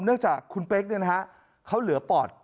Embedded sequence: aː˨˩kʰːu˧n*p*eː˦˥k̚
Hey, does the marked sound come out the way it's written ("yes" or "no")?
yes